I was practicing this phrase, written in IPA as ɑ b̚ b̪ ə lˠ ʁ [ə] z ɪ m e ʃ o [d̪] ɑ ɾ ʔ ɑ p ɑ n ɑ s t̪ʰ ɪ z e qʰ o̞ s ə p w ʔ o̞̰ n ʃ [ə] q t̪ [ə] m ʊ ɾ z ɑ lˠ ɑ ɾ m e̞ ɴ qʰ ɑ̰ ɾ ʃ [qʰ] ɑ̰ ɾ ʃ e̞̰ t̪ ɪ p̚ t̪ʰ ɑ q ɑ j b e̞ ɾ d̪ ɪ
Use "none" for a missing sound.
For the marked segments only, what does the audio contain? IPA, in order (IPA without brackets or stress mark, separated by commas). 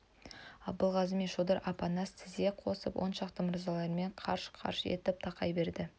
ɑ, d̪, ɑ, ə, qʰ